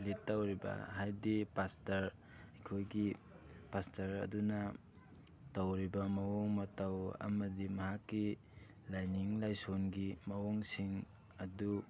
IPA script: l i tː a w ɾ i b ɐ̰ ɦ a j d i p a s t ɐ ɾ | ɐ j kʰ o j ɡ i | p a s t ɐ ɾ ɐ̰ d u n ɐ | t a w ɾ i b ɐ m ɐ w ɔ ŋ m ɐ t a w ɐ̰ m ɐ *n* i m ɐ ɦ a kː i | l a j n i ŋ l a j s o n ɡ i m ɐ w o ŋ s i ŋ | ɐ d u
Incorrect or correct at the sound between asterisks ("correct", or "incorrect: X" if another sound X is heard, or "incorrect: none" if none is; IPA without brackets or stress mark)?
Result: incorrect: d